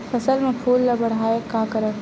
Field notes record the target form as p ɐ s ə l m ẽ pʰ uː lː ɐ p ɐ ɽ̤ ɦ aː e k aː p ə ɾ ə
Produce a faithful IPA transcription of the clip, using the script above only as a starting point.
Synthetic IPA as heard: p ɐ s ə l m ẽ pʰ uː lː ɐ b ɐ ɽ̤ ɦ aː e k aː k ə ɾ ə